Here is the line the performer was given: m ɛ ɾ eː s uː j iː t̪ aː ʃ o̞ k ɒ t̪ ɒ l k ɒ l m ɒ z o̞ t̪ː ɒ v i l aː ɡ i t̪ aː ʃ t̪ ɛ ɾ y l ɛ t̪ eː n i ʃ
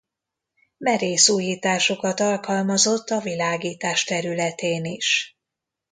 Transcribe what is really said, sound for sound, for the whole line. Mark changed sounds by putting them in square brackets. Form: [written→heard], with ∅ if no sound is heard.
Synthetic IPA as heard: m ɛ ɾ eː s uː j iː t̪ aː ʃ o̞ k ɒ t̪ ɒ l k ɒ l m ɒ z o̞ t̪ː ɒ v i l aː ɡ [i→iː] t̪ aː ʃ t̪ ɛ ɾ y l ɛ t̪ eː n i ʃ